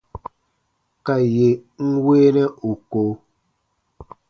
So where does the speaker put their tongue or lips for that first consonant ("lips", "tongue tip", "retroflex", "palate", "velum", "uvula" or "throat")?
velum